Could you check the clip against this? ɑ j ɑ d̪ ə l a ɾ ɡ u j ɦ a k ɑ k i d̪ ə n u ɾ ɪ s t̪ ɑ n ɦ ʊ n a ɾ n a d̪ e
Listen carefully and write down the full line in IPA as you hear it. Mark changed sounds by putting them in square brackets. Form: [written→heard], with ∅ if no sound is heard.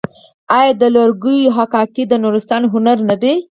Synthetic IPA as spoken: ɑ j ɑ d̪ ə l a ɾ ɡ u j ɦ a k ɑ k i d̪ ə n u ɾ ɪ s t̪ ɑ n ɦ ʊ n a ɾ n a d̪ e